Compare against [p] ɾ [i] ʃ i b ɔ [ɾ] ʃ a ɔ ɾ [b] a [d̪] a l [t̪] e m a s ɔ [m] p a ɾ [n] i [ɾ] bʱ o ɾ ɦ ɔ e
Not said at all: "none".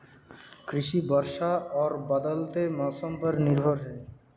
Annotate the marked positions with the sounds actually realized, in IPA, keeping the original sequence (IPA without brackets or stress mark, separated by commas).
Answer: k, i, ɾ, b, d̪, t̪, m, n, ɾ